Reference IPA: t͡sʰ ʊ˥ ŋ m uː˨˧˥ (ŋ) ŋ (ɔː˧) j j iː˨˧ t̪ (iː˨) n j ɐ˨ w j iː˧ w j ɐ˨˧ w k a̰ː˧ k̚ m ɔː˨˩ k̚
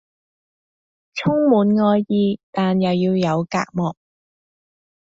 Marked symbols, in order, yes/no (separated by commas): no, yes, no